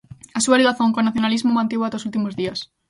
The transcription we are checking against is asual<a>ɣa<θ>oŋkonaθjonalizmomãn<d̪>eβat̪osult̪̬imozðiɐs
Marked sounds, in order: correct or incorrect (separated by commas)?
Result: incorrect, correct, incorrect